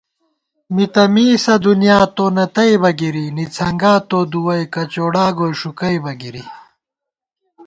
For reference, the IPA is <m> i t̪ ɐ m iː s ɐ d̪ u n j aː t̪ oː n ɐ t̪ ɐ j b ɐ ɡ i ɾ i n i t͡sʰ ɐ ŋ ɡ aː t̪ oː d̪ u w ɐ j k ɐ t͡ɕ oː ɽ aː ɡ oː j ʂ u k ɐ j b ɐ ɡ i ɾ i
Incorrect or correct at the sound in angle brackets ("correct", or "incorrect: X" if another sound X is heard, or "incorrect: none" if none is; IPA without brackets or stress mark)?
correct